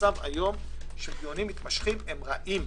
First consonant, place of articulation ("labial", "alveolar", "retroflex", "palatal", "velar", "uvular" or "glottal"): labial